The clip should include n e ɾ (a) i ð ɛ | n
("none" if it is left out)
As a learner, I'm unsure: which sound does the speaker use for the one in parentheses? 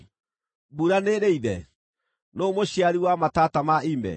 e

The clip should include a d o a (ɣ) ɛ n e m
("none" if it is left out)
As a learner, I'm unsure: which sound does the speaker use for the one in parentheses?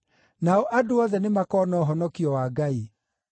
ð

